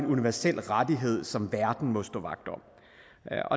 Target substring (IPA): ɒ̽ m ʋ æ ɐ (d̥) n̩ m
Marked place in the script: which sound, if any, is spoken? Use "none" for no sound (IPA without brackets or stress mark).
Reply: d̥